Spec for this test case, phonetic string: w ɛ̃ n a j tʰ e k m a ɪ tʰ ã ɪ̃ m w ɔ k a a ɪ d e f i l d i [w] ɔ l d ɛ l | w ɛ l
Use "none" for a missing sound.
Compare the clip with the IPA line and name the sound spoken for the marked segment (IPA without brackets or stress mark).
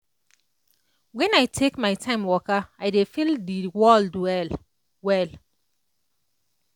w